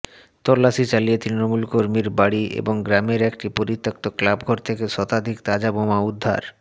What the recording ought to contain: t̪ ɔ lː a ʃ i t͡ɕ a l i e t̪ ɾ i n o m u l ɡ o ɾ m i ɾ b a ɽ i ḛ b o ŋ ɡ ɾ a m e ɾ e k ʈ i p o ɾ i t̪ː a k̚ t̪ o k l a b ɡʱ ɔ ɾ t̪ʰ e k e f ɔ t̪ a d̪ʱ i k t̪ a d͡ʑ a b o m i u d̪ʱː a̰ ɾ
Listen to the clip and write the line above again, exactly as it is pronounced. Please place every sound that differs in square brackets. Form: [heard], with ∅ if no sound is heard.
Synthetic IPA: t̪ ɔ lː a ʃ i t͡ɕ a l i e t̪ ɾ i n o m u l [k] o ɾ m i ɾ b a ɽ i ḛ b o ŋ ɡ ɾ a m e ɾ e k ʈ i p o ɾ i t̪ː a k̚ t̪ o k l a b ɡʱ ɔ ɾ t̪ʰ e k e [ʃ] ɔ t̪ a d̪ʱ i k t̪ a d͡ʑ a b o m [a] u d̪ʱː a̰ ɾ